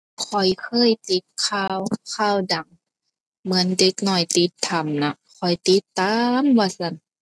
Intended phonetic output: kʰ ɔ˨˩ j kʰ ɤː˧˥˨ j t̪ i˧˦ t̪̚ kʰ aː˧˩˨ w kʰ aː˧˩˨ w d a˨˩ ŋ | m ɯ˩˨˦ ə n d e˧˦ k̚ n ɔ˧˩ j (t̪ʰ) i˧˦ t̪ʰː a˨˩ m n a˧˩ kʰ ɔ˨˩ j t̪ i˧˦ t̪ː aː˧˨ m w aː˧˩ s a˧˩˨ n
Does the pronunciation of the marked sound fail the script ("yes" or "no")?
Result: yes